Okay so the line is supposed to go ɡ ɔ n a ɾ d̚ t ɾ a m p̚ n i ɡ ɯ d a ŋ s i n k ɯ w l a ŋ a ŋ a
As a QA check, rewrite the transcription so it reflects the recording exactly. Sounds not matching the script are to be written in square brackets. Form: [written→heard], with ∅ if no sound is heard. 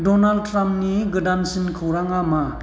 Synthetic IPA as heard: [ɡ→d] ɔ n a [ɾ→l] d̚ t ɾ a m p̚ n i ɡ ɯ d a [ŋ→n] s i n [k→kʰ] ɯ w [l→ɾ] a ŋ a [ŋ→m] a